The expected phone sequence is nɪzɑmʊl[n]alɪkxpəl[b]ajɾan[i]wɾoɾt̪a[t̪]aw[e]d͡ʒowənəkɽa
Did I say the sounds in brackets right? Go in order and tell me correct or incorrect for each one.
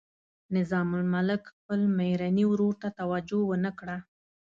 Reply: incorrect, incorrect, correct, correct, incorrect

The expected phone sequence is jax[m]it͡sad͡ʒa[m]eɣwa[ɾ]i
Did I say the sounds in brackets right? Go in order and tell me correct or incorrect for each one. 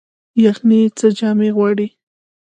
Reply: incorrect, correct, incorrect

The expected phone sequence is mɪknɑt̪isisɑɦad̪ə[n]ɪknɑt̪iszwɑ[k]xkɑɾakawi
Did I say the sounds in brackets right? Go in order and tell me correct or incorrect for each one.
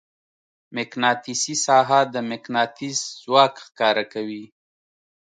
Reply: incorrect, correct

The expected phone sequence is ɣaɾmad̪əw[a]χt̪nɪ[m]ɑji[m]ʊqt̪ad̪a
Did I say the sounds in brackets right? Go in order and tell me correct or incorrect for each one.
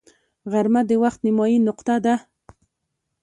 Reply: correct, correct, incorrect

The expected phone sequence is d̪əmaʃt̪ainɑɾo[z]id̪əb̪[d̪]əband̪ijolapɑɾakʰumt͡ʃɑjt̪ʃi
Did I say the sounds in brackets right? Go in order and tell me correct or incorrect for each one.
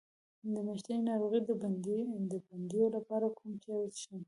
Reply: incorrect, correct

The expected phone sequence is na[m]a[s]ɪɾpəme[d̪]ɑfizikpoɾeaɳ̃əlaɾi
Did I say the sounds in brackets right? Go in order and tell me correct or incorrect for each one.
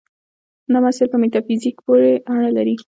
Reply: correct, correct, incorrect

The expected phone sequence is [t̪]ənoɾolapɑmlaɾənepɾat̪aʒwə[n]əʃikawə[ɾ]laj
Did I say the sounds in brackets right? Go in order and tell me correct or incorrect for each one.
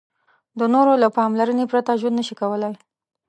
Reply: incorrect, incorrect, incorrect

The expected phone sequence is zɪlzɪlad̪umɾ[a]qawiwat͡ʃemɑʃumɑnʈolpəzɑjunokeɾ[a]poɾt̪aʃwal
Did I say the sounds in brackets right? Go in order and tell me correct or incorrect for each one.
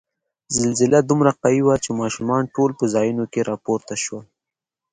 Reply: correct, incorrect

